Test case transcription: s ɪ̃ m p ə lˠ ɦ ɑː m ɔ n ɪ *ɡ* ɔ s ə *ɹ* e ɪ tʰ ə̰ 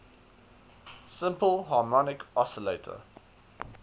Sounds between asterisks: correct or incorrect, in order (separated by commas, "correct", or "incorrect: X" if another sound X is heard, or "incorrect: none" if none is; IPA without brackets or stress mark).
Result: incorrect: k, incorrect: l